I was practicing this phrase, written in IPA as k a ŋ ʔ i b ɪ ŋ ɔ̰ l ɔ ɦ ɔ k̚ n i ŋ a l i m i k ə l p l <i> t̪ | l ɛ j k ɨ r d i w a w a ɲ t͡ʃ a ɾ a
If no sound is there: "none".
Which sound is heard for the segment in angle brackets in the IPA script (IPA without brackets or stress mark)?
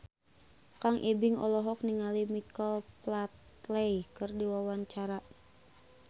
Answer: a